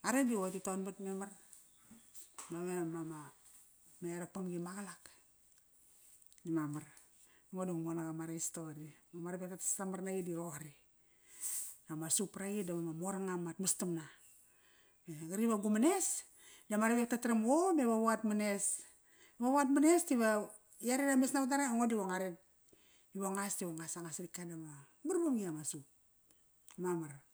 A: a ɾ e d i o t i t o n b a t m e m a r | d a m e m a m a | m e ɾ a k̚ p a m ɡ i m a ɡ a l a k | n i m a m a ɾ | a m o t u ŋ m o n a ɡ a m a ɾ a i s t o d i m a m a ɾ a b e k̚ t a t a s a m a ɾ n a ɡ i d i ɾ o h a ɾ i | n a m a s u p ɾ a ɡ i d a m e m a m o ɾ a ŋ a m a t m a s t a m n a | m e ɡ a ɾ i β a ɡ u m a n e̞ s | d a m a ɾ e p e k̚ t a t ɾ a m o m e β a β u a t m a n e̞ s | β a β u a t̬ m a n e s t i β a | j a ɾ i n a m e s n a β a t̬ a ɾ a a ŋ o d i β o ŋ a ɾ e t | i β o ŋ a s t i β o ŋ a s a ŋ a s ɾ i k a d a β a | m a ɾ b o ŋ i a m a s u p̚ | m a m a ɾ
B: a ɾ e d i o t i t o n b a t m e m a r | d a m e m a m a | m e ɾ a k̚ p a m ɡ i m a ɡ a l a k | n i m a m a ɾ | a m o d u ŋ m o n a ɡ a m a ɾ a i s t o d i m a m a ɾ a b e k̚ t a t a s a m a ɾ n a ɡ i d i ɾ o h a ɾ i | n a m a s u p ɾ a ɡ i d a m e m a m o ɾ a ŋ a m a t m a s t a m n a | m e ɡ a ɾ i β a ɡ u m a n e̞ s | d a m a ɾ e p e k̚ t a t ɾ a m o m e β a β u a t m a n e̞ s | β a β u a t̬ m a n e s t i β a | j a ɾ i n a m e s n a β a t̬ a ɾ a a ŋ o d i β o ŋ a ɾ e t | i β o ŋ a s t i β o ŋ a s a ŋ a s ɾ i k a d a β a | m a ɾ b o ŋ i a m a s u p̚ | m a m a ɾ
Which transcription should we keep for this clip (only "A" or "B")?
B